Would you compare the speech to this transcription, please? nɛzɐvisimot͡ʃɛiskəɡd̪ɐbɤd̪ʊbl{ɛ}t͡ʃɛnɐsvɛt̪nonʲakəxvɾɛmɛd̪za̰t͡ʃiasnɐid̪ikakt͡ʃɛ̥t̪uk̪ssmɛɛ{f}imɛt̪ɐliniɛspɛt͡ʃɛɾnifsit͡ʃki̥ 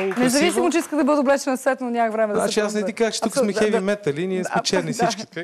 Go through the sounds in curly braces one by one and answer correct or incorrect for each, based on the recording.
correct, incorrect: v

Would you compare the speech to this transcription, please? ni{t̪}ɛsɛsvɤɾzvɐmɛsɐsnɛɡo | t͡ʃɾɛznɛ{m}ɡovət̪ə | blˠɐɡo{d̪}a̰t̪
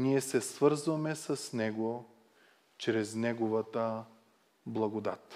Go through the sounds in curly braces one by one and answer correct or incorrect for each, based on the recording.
incorrect: none, incorrect: none, correct

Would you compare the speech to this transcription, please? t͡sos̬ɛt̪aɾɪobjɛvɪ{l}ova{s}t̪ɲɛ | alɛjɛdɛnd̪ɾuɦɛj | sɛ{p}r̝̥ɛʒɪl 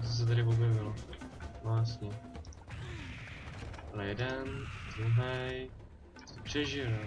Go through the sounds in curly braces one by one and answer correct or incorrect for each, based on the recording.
correct, correct, correct

